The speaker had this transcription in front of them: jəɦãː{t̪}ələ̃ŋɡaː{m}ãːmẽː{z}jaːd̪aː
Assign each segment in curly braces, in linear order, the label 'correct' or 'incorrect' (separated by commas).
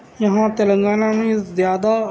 correct, incorrect, correct